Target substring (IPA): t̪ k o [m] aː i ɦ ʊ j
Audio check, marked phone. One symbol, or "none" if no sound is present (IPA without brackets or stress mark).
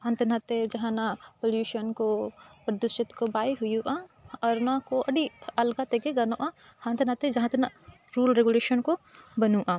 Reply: b